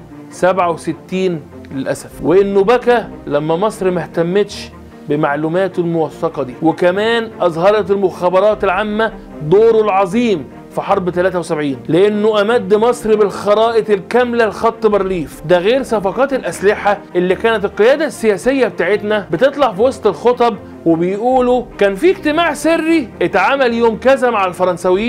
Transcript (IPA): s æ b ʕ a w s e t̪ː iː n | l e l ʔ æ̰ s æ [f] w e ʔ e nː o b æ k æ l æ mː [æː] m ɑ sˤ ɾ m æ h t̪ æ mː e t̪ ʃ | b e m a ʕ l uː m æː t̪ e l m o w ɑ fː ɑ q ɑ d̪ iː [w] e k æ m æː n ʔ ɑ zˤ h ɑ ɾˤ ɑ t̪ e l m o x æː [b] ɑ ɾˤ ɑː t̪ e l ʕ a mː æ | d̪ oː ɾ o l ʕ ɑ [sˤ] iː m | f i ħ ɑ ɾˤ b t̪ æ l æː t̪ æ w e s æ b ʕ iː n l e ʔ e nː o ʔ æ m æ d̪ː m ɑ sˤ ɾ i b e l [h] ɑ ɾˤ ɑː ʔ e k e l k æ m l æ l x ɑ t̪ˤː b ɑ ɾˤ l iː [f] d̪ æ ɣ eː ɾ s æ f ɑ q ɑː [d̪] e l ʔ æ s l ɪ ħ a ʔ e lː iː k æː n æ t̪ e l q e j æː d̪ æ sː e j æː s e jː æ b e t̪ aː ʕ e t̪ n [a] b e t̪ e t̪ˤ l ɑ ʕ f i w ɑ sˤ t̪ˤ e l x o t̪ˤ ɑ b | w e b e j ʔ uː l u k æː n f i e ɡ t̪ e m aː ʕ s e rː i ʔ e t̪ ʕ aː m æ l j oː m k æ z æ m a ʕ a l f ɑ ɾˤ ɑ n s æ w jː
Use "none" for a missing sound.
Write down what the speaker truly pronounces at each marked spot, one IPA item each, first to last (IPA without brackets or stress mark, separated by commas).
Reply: f, æ, w, b, zˤ, x, f, t̪, æ